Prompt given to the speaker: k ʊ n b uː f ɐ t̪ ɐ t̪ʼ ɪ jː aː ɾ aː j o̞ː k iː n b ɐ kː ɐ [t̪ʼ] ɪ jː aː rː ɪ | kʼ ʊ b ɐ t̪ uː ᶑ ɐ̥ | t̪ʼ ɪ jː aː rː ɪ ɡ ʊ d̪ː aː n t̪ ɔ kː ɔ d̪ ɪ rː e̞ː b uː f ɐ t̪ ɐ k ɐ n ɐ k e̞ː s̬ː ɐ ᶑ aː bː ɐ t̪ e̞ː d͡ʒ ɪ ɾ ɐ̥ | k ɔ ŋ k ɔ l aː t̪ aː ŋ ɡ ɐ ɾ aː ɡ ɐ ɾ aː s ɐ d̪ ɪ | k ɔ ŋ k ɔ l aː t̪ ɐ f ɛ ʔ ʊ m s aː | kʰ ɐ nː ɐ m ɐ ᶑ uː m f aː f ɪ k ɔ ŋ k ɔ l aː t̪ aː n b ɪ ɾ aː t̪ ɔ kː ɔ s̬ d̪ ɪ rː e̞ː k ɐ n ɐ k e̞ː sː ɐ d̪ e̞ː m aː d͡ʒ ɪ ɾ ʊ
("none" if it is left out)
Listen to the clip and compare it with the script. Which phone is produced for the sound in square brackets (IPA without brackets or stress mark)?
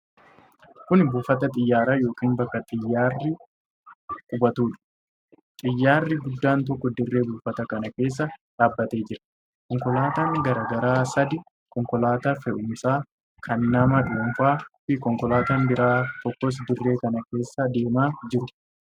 t̪ʼ